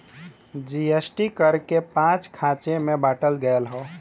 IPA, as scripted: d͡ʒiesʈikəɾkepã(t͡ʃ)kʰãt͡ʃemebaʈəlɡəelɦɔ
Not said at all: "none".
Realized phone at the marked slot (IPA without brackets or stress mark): t͡ʃ